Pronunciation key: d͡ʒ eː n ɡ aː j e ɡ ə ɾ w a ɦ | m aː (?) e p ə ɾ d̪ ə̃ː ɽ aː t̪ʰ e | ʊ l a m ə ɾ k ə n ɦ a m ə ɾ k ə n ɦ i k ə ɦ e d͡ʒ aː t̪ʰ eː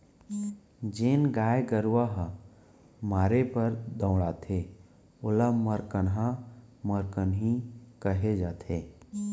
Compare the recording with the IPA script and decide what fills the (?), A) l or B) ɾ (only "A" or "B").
B